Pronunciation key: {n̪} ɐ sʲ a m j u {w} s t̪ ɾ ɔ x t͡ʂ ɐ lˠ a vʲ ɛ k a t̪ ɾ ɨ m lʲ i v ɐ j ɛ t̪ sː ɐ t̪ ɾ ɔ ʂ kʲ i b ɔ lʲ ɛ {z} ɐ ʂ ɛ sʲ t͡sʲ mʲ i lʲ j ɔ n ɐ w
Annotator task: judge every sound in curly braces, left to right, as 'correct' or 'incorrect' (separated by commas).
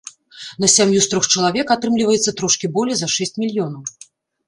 correct, incorrect, correct